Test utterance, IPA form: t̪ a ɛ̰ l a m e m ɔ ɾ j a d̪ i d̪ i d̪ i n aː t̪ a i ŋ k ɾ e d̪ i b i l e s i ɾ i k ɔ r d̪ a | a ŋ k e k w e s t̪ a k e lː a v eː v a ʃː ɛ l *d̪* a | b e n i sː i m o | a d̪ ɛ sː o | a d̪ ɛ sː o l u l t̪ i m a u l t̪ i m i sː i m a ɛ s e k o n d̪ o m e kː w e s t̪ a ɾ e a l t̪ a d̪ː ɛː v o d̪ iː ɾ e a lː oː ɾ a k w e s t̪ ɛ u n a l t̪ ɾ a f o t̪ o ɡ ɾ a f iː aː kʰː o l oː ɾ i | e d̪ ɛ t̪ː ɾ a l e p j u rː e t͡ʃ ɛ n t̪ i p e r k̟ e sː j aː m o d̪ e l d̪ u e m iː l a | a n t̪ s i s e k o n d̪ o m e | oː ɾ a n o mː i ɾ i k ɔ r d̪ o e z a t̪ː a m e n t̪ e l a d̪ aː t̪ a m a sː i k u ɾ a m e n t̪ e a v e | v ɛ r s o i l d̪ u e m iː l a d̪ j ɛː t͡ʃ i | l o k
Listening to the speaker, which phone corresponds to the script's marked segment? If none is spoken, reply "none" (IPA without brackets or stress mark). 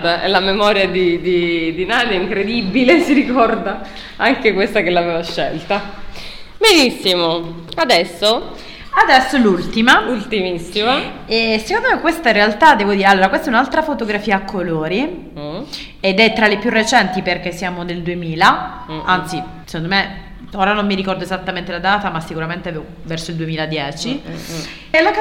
t̪